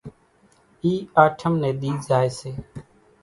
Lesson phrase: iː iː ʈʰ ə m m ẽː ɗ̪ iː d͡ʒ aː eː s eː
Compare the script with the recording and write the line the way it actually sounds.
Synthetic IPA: iː aː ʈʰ ə m n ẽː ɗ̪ iː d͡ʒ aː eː s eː